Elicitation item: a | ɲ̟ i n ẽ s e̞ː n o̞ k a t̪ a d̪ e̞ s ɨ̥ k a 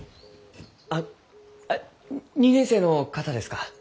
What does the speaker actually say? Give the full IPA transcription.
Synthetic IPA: a | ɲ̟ i n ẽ s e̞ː n o̞ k a t̪ a d̪ e̞ s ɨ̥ k a